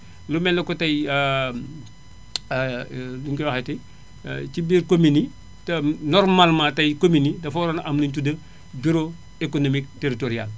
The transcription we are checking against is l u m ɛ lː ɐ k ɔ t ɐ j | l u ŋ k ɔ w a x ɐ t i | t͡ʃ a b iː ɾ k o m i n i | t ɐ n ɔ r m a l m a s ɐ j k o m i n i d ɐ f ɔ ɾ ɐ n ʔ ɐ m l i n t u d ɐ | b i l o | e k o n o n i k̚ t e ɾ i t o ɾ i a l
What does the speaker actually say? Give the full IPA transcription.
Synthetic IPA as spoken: l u m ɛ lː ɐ k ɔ t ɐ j | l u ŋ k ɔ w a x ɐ t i | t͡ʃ i b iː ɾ k o m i n i | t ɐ n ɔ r m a l m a t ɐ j k o m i n i d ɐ f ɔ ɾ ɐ n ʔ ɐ m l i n t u d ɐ | b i ɾ o | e k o n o m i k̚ t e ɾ i t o ɾ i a l